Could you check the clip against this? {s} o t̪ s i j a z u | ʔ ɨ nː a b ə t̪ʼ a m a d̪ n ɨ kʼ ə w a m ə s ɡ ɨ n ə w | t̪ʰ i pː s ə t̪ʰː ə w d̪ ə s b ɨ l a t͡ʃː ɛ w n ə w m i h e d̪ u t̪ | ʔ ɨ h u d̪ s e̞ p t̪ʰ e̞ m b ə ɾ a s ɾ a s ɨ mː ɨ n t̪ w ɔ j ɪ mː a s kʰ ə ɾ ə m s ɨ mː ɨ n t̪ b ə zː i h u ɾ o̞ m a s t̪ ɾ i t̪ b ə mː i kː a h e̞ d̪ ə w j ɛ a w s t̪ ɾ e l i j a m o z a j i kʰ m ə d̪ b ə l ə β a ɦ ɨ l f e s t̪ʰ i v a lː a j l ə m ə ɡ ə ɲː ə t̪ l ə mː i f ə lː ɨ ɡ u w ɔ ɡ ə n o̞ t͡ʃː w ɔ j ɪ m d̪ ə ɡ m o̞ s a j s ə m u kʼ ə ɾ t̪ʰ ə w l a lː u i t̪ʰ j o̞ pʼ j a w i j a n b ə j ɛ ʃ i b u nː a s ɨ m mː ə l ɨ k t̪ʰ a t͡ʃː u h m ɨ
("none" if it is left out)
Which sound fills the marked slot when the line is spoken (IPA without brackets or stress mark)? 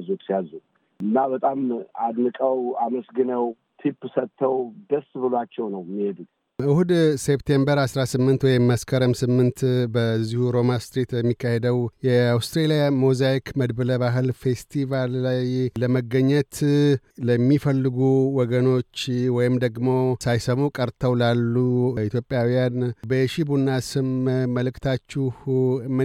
z